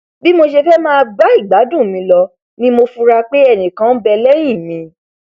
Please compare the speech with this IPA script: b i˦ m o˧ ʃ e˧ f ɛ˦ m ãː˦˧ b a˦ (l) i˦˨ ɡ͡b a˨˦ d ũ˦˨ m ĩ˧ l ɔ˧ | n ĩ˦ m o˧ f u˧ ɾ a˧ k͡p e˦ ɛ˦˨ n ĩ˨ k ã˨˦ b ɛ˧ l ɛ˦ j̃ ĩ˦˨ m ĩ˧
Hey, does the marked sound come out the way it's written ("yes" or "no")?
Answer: no